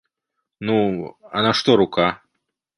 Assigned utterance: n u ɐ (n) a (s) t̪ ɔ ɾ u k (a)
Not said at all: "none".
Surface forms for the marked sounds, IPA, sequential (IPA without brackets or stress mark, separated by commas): n, ʂ, a